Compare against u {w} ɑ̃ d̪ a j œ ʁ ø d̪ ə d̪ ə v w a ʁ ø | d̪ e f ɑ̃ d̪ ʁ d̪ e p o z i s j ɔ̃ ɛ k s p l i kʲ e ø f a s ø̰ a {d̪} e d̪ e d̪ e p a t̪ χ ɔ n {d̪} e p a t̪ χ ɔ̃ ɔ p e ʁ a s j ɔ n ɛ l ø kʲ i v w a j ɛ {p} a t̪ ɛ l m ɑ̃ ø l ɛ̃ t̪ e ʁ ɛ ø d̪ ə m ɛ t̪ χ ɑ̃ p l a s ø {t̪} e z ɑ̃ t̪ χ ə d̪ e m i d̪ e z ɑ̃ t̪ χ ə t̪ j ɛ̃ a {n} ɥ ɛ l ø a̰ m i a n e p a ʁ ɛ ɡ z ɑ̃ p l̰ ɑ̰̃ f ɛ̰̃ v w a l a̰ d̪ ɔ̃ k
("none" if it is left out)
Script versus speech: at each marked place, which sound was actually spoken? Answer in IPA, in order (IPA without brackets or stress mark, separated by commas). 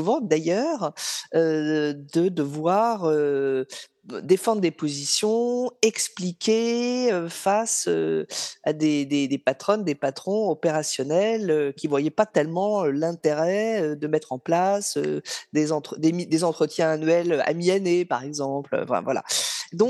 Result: v, d̪, d̪, p, d̪, n